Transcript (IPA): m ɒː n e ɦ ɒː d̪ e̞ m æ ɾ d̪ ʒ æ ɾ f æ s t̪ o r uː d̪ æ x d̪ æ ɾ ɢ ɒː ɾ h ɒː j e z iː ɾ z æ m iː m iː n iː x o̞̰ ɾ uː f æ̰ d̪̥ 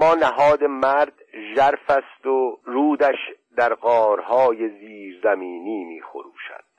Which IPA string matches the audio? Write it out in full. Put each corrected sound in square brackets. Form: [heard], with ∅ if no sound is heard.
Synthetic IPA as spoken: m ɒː n [æ] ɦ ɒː d̪ e̞ m æ ɾ d̪ ʒ æ ɾ f æ s t̪ o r uː d̪ æ [ʃ] d̪ æ ɾ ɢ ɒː ɾ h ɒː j e z iː ɾ z æ m iː [n] iː [m] iː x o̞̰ ɾ uː [ʃ] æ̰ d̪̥